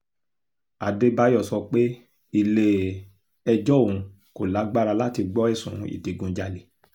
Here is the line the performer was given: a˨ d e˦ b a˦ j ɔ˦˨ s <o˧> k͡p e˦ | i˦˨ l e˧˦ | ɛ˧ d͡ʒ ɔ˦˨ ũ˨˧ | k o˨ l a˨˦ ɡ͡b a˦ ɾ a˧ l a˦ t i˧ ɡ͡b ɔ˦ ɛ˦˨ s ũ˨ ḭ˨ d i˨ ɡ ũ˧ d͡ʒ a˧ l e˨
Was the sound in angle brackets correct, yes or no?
no